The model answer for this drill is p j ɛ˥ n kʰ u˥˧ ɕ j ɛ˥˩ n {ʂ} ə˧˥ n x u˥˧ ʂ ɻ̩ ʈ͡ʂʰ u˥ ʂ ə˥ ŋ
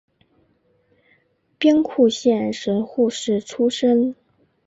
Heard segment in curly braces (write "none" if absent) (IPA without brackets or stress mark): ʂ